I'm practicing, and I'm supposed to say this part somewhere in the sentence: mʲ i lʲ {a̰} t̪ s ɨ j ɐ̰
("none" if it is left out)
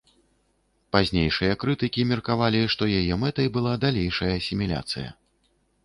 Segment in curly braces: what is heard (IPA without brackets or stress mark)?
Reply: a̰